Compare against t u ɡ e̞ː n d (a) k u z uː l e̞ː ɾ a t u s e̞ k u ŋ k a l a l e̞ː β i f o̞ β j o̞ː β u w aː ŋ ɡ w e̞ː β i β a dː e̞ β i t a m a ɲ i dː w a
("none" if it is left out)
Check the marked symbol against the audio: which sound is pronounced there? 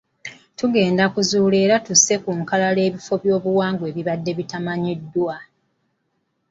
a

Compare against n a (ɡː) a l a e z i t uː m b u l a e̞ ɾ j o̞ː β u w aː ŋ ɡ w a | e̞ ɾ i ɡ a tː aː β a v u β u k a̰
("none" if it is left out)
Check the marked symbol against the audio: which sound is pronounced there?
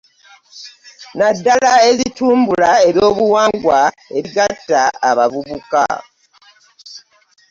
dː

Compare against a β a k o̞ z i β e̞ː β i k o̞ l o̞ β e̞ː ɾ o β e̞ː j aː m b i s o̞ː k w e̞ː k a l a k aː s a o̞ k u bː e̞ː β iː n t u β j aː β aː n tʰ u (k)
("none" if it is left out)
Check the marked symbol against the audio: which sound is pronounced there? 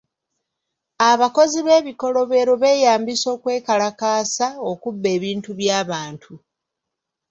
none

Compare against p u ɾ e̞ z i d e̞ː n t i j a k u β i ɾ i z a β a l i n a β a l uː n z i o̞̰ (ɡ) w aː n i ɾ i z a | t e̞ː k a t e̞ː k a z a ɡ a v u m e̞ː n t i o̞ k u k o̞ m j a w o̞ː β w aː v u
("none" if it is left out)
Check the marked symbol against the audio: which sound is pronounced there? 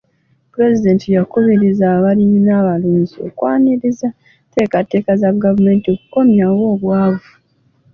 k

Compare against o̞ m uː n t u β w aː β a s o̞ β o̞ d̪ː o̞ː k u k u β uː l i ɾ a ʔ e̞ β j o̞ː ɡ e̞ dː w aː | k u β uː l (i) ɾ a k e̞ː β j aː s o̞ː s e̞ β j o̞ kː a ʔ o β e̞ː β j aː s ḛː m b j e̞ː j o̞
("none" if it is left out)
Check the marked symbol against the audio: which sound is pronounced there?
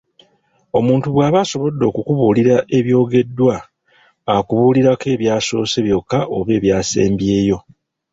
i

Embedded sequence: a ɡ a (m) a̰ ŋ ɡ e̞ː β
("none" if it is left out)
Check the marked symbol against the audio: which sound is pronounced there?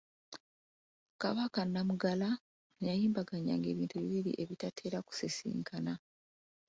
ɲ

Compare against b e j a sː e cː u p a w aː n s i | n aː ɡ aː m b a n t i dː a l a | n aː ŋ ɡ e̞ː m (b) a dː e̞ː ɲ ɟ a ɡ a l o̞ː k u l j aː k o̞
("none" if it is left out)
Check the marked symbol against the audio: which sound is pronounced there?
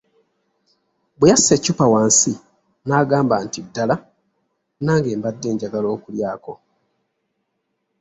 b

